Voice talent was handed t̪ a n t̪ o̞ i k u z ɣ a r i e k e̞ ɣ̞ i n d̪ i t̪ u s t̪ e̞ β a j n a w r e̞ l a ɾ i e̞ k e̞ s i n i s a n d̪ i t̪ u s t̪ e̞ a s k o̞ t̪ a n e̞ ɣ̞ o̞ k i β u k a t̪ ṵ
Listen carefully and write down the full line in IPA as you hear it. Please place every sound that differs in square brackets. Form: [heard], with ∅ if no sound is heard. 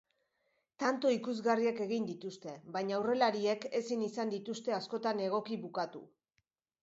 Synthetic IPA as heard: t̪ a n t̪ o̞ i k u z ɣ a r i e k e̞ ɣ̞ i n d̪ i t̪ u s t̪ e̞ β a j [ɲ] a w r e̞ l a ɾ i e̞ k e̞ s i n i s a n d̪ i t̪ u s t̪ e̞ a s k o̞ t̪ a n e̞ ɣ̞ o̞ k i β u k a t̪ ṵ